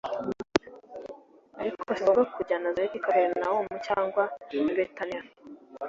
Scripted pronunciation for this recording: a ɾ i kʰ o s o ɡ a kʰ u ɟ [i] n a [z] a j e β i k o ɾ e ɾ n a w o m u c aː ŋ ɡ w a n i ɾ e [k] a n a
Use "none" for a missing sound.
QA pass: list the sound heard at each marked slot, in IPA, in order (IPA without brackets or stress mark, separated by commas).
a, z, t